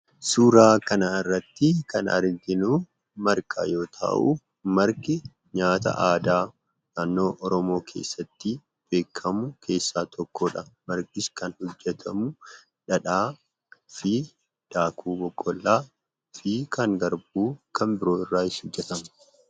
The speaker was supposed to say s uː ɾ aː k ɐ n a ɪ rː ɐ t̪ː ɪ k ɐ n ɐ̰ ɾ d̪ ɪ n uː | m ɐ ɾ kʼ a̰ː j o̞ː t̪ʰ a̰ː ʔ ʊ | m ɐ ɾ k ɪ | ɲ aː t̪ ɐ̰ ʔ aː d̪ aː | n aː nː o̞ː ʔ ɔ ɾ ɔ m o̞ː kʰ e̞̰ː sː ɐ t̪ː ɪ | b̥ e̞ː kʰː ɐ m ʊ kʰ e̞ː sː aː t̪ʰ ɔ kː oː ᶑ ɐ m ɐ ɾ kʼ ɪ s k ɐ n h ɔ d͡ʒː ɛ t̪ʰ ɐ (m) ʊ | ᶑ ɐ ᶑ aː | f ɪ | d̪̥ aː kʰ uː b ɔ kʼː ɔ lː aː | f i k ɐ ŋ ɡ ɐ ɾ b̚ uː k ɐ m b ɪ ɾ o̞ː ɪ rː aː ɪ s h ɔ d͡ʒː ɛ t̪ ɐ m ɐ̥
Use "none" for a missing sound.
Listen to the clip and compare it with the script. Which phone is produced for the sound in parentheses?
m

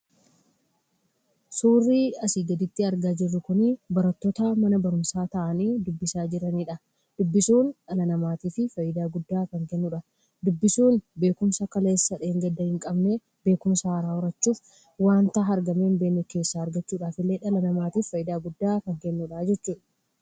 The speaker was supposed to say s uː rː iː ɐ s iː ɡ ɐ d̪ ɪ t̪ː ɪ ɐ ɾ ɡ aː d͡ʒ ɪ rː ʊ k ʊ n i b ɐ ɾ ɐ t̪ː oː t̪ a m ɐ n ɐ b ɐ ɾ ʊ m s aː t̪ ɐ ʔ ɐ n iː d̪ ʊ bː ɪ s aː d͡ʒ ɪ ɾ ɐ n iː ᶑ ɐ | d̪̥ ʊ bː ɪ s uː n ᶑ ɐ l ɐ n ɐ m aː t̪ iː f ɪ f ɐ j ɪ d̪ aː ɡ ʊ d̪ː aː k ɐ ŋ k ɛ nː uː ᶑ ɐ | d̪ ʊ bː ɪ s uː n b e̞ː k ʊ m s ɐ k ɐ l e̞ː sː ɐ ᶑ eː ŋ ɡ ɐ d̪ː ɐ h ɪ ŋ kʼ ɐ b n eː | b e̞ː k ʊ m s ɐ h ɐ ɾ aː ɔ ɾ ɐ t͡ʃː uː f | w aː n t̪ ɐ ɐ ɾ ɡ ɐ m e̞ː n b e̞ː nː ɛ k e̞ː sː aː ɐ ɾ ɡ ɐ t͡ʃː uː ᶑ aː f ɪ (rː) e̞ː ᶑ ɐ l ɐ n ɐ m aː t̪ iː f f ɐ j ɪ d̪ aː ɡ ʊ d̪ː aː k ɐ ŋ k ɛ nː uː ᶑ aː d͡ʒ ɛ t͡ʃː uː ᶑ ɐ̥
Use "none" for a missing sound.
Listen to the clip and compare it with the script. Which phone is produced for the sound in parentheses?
lː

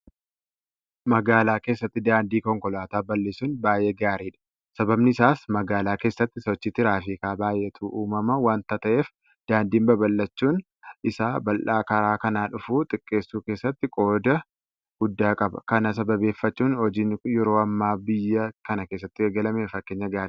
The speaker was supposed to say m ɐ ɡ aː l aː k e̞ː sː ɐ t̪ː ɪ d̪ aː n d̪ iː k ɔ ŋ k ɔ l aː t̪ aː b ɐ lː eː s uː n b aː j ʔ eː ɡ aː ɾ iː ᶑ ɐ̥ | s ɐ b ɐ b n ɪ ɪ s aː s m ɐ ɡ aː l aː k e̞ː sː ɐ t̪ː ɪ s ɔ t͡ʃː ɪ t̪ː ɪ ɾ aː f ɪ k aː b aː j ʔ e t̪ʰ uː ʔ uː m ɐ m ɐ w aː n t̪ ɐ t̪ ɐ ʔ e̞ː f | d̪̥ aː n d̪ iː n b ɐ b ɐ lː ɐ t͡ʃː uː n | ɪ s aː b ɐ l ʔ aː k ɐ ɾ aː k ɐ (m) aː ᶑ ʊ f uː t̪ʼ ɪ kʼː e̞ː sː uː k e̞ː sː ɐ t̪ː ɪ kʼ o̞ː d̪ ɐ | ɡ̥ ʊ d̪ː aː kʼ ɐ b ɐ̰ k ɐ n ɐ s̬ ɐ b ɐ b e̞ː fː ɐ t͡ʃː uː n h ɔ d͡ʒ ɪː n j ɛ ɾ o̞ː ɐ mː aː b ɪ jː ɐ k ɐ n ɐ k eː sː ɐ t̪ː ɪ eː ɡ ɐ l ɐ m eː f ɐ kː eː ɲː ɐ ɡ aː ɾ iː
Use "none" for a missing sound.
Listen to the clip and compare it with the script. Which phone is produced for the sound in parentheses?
n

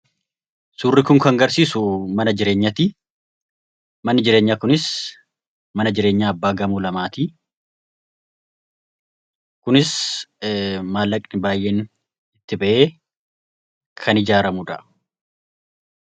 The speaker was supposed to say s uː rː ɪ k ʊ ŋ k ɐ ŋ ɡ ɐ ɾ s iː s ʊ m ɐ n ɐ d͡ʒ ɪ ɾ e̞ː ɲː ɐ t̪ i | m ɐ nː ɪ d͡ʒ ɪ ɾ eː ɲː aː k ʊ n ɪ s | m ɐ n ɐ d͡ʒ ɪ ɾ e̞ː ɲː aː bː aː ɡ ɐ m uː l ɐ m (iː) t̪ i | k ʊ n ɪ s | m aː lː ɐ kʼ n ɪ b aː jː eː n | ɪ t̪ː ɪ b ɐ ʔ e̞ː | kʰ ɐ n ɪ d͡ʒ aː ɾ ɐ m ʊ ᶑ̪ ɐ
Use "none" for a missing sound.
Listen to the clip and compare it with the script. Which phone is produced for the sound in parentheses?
aː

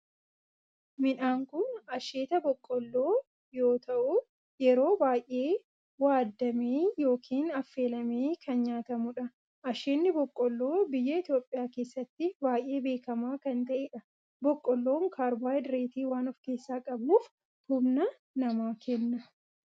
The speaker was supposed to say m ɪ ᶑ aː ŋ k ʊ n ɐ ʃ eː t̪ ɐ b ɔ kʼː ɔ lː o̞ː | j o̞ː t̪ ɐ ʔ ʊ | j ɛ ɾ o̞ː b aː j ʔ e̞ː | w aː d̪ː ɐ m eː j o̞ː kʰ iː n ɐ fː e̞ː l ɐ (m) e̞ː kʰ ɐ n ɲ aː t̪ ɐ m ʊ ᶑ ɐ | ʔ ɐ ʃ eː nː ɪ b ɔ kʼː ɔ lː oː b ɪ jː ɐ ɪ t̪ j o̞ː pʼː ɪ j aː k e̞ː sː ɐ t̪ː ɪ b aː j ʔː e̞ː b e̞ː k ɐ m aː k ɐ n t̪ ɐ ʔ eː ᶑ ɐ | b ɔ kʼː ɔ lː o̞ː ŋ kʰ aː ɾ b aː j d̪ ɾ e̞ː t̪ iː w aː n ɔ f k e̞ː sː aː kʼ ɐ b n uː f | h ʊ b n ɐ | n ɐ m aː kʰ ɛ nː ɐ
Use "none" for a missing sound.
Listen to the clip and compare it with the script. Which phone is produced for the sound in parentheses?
m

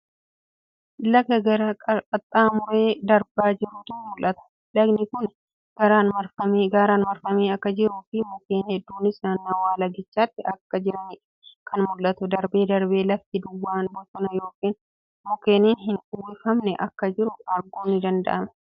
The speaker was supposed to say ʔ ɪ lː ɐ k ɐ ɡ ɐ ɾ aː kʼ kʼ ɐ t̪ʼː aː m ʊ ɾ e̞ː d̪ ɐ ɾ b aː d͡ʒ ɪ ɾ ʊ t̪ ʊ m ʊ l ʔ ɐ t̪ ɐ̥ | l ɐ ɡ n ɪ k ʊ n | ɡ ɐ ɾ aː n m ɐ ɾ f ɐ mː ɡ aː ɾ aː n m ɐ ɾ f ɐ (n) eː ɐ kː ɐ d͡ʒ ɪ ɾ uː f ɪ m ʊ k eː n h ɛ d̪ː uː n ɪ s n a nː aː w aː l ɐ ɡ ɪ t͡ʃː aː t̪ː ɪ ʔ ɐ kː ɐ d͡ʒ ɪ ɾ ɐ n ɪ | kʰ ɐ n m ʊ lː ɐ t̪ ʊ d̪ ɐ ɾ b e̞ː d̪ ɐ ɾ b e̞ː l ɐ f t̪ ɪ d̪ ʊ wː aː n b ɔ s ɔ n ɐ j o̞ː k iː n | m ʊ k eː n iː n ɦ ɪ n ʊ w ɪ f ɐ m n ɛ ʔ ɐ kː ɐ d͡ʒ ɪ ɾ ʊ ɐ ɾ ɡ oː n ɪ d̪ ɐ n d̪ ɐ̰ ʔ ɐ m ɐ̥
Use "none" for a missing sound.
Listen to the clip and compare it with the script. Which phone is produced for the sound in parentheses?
m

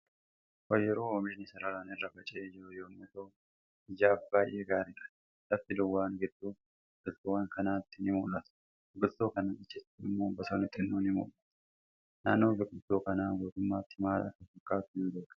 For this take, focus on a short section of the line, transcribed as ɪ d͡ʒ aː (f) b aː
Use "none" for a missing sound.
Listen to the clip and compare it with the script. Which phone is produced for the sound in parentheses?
f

